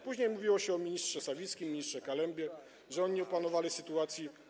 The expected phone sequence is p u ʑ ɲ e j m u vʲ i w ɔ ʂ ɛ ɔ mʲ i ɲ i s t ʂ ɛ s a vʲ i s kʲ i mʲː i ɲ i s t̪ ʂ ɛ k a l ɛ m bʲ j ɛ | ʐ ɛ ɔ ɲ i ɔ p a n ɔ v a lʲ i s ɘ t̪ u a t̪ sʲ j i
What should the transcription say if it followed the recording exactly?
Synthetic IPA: p u ʑ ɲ e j m u vʲ i w ɔ ɕ ɛ ɔ mʲ i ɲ i s t ʂ ɛ s a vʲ i s kʲ i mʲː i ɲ i s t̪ ʂ ɛ k a l ɛ m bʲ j ɛ | ʐ ɛ ɔ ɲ i ɔ p a n ɔ v a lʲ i s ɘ t̪ u a t̪ sʲ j i